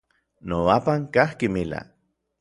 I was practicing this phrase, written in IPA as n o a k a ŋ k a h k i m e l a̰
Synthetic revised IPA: n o a p a ŋ k a h k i m i l a̰